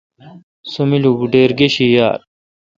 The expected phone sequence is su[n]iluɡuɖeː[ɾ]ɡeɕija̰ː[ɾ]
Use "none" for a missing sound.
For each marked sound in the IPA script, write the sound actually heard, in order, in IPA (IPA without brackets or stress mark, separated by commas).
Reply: m, ɾ, ɾ